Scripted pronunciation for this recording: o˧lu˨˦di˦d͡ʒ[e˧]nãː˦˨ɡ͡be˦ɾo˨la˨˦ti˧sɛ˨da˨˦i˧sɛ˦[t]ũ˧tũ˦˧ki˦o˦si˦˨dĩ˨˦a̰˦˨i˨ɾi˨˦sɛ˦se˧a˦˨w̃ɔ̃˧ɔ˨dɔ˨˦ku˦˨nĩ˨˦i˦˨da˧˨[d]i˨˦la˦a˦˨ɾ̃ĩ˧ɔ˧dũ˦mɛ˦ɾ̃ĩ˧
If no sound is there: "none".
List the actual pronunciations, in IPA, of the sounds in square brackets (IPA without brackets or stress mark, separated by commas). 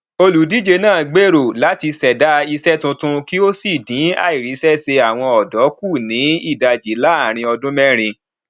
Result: e˧, t, d͡ʒ